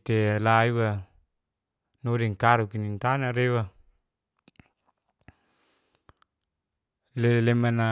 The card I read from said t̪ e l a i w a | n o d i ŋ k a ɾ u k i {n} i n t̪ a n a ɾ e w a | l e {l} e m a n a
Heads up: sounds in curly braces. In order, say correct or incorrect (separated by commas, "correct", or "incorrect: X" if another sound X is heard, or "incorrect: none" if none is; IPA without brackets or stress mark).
correct, correct